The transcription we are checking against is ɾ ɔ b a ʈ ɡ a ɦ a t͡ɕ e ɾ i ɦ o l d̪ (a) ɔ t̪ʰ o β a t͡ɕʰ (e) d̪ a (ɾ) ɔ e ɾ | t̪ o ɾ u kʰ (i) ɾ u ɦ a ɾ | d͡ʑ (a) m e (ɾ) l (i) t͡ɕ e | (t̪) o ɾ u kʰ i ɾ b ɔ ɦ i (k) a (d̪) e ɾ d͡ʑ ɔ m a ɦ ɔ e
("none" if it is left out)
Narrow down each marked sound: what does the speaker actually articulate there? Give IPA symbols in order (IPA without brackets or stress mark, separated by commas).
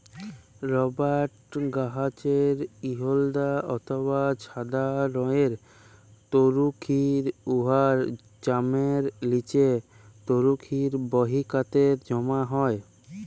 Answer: a, a, ɾ, i, a, ɾ, i, t̪, k, t̪